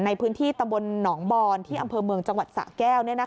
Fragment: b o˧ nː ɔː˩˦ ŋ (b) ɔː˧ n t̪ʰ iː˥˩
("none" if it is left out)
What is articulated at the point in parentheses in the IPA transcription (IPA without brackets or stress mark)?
b